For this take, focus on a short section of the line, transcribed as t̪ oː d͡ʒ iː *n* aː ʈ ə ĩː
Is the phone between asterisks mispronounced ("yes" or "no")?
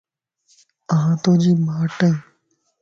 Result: yes